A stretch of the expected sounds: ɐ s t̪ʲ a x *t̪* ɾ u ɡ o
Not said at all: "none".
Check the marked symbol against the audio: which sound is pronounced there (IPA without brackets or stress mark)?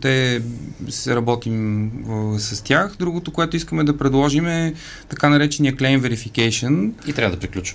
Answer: d̪